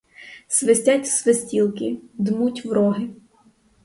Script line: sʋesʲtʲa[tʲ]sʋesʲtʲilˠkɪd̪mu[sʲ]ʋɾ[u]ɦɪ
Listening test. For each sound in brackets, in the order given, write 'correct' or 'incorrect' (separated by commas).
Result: correct, incorrect, incorrect